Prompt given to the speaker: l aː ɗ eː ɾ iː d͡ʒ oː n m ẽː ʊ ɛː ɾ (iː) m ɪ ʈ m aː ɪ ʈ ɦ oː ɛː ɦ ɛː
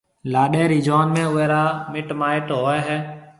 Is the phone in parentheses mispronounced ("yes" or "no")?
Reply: yes